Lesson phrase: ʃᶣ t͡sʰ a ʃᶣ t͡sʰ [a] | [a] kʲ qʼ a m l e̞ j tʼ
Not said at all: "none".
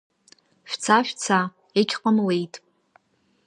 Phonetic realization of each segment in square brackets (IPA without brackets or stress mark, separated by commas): a, e